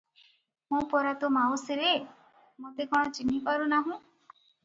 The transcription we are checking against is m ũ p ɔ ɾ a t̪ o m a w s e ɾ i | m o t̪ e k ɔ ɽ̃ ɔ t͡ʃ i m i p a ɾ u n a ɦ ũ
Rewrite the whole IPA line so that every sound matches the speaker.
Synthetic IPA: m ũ p ɔ ɾ a t̪ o m a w s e ɾ e | m o t̪ e k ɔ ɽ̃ ɔ t͡ʃ i n i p a ɾ u n a ɦ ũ